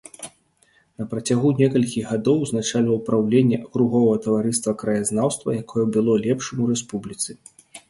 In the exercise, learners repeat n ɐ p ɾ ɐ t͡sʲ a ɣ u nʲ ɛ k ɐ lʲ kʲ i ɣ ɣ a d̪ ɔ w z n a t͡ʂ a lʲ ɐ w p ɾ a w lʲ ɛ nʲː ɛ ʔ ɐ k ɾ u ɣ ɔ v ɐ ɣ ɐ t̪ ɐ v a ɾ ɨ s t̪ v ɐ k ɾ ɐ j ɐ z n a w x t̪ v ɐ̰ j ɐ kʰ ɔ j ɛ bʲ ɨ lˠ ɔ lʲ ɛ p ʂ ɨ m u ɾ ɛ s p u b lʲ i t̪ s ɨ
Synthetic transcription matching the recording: n ɐ p ɾ ɐ t͡sʲ a ɣ u nʲ ɛ k ɐ lʲ kʲ i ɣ ɣ a d̪ ɔ w z n a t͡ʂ a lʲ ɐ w p ɾ a w lʲ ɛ nʲː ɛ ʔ ɐ k ɾ u ɣ ɔ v ɐ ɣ ɐ t̪ ɐ v a ɾ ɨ s t̪ v ɐ k ɾ ɐ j a z n a w s t̪ v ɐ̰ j a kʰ ɔ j ɛ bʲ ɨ lˠ ɔ lʲ ɛ p ʂ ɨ m u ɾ ɛ s p u b lʲ i t̪ s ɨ